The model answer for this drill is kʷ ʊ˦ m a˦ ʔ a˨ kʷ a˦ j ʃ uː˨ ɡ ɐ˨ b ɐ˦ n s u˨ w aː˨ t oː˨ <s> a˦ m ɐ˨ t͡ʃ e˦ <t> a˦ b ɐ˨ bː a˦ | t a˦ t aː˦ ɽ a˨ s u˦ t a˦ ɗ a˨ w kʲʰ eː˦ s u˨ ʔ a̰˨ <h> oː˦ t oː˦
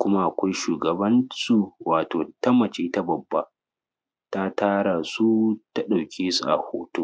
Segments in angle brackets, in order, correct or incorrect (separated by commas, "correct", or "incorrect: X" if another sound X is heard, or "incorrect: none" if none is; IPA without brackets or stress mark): incorrect: t, correct, correct